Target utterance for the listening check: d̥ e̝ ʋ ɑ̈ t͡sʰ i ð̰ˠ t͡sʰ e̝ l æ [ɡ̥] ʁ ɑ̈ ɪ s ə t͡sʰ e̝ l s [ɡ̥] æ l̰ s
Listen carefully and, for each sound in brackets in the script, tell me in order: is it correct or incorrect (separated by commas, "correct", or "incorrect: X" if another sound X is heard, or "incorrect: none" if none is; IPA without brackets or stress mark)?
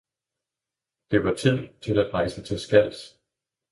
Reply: incorrect: d̥, correct